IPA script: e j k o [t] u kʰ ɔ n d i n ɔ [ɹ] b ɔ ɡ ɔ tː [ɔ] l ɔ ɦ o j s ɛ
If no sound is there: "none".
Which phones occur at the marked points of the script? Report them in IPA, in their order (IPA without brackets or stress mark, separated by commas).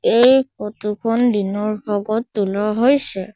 t, ɹ, u